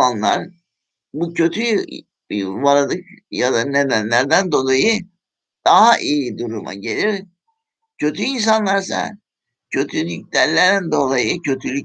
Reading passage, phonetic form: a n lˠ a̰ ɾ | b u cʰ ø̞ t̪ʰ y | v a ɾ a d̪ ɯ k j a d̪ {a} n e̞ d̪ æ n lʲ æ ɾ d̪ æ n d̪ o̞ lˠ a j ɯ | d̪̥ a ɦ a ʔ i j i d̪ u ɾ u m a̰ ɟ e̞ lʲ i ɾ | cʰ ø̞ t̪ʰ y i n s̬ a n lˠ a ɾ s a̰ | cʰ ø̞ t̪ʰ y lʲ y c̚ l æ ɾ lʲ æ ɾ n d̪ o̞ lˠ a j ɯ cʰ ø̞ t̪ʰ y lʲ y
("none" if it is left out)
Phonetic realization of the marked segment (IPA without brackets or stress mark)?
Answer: a